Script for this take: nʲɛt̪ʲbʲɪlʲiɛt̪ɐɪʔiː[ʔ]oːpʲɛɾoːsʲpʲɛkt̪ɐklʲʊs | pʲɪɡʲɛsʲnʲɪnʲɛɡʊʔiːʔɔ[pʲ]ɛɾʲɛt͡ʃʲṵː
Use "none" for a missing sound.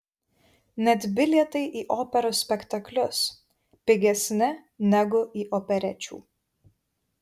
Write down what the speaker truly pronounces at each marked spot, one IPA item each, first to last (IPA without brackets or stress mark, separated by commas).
ʔ, pʲ